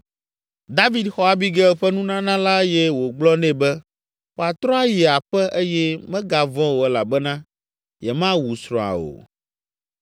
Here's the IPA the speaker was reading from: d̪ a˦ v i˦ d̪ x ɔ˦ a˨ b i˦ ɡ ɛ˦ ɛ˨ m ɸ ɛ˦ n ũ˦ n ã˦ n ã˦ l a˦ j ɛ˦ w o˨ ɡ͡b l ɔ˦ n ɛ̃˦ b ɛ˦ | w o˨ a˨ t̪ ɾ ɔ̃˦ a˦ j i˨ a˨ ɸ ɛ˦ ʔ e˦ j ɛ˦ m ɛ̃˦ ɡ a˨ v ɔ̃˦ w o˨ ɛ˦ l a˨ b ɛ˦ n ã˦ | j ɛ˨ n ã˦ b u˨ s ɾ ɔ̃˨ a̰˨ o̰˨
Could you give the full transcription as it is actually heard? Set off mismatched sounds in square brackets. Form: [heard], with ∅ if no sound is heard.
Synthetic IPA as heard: d̪ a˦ v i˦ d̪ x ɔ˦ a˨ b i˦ ɡ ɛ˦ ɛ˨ [∅] ɸ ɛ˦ n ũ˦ n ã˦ n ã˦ l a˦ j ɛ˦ w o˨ ɡ͡b l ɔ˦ n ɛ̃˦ b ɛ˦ | w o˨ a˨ t̪ ɾ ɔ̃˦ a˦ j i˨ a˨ ɸ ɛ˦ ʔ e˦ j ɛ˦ m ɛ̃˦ ɡ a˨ v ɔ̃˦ w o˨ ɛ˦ l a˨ b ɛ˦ n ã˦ | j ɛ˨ [m] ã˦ [w] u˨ s ɾ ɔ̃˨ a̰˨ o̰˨